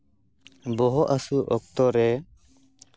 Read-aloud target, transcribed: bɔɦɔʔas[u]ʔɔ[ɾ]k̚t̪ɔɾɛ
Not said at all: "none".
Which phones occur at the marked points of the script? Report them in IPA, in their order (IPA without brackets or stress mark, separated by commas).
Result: u, none